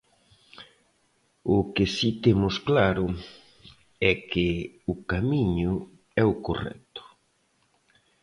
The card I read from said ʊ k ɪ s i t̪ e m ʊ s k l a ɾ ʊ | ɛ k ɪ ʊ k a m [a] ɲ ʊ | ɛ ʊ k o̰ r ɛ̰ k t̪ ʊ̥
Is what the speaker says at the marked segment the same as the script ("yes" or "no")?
no